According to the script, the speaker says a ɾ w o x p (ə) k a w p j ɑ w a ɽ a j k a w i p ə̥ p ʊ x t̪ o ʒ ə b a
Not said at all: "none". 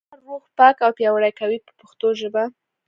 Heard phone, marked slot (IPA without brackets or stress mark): ɑ